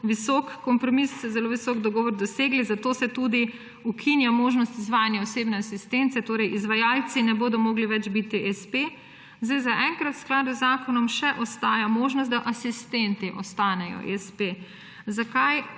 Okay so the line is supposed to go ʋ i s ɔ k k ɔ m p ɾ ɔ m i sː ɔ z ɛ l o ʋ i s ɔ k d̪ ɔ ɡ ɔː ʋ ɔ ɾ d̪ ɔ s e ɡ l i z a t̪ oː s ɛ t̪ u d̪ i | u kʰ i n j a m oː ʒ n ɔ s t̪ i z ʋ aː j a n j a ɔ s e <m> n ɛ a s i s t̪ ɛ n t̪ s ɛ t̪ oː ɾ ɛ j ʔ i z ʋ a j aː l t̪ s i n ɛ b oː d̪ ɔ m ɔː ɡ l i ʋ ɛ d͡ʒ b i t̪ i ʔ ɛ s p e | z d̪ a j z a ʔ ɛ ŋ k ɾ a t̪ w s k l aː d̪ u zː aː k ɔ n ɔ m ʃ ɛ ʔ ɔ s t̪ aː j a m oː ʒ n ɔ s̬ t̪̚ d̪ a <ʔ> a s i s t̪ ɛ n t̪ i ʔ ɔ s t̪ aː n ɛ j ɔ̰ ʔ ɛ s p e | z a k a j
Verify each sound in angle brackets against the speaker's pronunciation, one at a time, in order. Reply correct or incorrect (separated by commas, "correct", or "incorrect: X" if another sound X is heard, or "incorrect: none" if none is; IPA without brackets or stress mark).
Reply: incorrect: b, correct